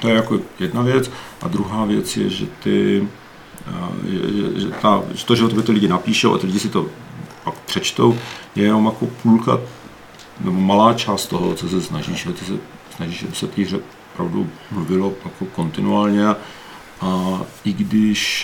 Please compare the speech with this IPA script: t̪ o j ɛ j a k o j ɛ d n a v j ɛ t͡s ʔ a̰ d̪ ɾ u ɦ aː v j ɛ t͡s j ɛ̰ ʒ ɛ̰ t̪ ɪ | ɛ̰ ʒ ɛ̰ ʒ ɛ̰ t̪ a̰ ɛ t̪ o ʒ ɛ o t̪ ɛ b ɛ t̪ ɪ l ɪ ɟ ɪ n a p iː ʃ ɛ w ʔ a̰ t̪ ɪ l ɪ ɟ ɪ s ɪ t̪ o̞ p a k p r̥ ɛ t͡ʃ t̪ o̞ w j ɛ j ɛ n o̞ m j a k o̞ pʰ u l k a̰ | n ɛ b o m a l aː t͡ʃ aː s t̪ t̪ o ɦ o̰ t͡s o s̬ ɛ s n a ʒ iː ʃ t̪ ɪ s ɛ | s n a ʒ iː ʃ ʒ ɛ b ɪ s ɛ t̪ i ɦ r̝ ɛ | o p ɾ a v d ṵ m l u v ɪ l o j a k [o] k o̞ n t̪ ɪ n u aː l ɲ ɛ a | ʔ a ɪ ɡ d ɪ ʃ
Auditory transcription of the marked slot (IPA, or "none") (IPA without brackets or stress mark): o